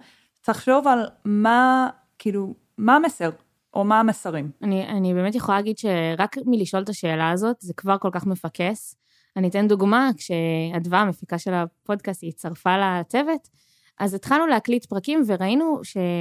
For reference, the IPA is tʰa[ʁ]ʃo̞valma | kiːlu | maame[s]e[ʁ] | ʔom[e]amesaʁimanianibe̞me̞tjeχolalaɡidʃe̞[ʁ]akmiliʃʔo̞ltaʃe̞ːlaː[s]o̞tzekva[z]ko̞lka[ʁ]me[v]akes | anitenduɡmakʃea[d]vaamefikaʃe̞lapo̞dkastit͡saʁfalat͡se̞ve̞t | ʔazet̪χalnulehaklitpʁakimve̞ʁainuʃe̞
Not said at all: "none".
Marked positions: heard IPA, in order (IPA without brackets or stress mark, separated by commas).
χ, s, ʁ, a, ʁ, z, ʁ, χ, f, d